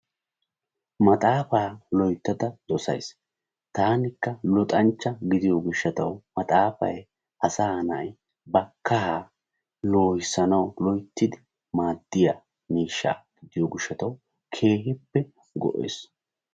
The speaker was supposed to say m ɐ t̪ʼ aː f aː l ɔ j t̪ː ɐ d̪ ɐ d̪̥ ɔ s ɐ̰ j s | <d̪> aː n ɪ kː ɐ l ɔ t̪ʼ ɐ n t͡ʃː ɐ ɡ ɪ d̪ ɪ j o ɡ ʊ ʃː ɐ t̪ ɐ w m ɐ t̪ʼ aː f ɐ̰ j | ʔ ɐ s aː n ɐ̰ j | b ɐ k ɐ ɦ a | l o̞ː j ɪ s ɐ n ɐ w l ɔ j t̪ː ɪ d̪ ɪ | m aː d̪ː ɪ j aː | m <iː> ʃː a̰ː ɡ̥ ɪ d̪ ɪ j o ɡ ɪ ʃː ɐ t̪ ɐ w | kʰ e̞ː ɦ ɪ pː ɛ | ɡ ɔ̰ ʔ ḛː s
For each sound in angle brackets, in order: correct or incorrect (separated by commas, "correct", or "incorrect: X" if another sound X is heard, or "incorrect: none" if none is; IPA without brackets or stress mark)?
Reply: incorrect: t̪, correct